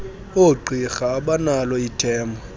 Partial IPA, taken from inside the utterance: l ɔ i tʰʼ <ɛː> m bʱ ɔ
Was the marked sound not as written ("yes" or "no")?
no